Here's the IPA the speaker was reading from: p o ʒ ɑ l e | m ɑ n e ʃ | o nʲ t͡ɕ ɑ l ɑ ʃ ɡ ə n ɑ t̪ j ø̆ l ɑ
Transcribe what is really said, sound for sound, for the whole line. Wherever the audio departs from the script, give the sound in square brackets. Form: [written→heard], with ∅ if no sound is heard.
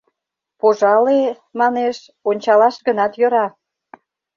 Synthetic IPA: p o ʒ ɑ l e | m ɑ n e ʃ | o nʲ t͡ɕ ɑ l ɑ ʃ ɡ ə n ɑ t̪ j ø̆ [l→ɾ] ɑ